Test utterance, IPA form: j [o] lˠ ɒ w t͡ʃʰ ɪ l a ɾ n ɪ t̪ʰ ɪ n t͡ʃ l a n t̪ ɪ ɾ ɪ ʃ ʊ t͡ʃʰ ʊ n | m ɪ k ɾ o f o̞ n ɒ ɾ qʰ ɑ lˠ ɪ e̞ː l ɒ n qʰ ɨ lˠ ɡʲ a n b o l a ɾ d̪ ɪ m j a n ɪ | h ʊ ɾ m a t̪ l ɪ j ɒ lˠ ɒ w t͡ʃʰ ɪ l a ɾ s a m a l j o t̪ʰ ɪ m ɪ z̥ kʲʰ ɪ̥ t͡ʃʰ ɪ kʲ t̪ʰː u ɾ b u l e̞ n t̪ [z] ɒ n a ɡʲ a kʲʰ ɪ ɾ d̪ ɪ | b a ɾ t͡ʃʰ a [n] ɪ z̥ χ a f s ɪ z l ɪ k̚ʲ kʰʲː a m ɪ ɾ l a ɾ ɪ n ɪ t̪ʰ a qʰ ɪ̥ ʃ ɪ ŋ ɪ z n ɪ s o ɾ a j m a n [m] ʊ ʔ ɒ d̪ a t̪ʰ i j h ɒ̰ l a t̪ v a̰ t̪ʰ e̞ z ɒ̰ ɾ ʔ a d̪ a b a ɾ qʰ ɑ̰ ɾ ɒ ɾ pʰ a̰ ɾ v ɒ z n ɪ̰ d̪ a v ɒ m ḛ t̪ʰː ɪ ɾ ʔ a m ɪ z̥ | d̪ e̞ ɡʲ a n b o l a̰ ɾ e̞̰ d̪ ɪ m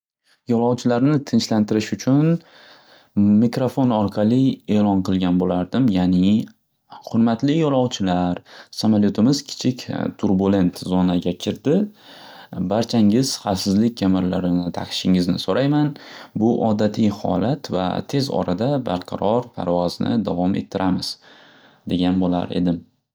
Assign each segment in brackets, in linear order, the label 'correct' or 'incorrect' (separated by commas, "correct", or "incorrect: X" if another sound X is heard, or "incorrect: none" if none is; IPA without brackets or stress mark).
incorrect: ɒ, correct, incorrect: ŋ, incorrect: b